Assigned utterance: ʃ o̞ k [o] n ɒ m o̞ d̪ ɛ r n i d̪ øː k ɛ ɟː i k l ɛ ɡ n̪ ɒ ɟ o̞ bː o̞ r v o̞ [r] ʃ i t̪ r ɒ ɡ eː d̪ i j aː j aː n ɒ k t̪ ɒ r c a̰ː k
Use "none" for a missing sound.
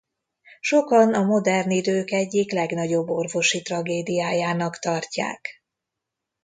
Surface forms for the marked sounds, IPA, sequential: ɒ, none

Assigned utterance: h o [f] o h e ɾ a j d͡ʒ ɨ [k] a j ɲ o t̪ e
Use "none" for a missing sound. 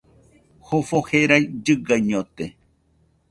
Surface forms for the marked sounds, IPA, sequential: f, ɡ

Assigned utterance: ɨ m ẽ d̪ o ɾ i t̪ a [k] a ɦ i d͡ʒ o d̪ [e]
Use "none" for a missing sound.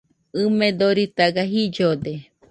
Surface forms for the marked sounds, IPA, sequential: ɡ, e

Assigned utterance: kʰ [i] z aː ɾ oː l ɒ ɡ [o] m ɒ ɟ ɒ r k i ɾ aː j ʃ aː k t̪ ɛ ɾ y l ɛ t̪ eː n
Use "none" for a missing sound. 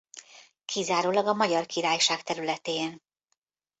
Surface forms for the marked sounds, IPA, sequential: i, ɒ

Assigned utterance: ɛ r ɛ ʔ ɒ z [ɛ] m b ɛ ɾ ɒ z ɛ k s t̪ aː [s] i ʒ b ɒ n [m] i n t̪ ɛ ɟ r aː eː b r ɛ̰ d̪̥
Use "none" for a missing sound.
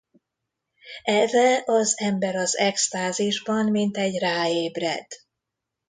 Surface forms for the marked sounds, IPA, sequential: ɛ, z, m

